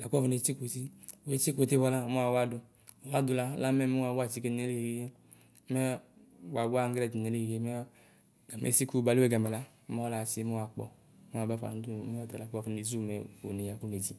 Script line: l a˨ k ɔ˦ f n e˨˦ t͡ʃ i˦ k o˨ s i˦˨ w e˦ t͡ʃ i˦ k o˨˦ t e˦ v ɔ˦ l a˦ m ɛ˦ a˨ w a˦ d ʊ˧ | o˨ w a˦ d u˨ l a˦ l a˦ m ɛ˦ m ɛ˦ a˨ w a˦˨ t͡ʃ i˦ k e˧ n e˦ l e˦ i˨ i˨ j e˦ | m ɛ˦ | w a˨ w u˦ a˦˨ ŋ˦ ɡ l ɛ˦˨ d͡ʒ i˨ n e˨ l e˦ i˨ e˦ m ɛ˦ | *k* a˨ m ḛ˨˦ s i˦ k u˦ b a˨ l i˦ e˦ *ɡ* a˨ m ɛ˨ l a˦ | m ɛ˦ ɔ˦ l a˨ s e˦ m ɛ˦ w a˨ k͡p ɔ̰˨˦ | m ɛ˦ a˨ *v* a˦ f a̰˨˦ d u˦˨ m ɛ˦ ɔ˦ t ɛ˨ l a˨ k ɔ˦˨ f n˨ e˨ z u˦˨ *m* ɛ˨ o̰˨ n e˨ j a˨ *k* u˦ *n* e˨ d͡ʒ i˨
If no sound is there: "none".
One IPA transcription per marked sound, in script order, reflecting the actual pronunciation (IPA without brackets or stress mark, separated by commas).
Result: ɡ, ɡ, b, m, k, n